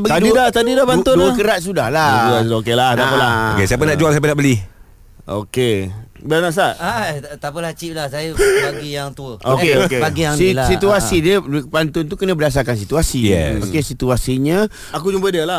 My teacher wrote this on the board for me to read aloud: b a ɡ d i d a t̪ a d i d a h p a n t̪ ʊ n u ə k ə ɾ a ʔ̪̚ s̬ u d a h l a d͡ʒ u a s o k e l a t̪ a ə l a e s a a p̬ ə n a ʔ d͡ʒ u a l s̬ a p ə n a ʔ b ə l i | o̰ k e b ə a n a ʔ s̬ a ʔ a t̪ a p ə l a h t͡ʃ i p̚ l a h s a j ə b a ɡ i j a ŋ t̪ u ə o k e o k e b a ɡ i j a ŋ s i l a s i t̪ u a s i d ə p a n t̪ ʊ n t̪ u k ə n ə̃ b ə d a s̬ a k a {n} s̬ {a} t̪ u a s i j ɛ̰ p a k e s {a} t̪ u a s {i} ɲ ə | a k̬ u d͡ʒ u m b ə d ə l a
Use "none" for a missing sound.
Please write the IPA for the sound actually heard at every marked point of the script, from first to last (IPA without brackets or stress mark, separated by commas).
n, i, i, i